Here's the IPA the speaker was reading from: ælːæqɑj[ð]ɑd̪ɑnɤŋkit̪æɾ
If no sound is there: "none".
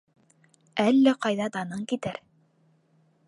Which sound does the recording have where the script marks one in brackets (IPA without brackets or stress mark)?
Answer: ð